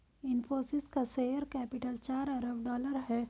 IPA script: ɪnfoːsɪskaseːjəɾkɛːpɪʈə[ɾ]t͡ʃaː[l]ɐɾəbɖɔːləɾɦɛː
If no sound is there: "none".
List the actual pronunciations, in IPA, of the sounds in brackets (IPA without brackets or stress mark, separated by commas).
l, ɾ